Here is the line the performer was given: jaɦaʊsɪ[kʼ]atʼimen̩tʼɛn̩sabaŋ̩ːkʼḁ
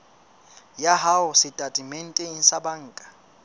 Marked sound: incorrect: tʼ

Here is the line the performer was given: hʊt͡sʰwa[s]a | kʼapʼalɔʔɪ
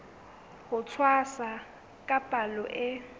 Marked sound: correct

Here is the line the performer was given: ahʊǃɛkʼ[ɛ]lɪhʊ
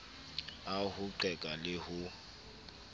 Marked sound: incorrect: a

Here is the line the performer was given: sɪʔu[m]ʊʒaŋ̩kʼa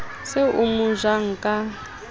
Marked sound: correct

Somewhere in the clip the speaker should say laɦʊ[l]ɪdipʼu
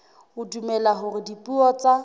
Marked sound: incorrect: r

